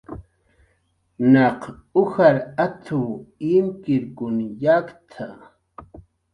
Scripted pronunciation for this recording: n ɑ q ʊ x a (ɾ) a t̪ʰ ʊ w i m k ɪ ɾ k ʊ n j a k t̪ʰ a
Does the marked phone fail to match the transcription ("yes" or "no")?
no